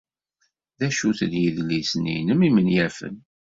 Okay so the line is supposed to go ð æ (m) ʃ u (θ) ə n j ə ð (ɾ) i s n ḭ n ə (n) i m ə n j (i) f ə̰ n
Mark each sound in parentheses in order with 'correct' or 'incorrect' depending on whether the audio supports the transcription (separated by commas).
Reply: incorrect, correct, incorrect, incorrect, incorrect